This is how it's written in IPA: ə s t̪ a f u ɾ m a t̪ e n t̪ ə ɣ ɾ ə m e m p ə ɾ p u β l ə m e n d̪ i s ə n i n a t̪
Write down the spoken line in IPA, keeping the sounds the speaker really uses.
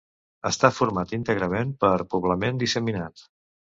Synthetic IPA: ə s t̪ a f u ɾ m a t̪ i n t̪ ə ɣ ɾ ə m e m p ə ɾ p u β l ə m e n d̪ i s ə m i n a t̪